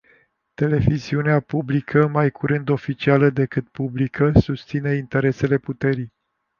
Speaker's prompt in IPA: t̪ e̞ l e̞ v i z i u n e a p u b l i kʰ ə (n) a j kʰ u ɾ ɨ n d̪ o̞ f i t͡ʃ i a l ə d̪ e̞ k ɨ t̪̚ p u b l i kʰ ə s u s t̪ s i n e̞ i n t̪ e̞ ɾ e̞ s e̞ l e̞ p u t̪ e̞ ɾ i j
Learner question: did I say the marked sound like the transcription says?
no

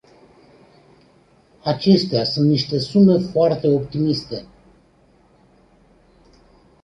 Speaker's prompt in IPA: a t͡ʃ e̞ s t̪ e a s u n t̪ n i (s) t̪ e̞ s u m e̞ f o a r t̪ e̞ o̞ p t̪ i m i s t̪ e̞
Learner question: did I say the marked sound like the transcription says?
no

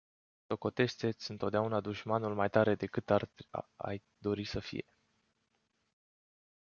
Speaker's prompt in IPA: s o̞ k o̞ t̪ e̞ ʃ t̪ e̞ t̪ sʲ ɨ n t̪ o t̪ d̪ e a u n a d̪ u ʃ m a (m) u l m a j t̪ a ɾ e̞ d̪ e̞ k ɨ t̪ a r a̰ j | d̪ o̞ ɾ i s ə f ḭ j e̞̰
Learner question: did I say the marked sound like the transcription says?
no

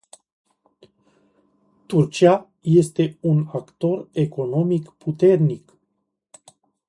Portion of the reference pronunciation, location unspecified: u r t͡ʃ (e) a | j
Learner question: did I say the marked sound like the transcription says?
no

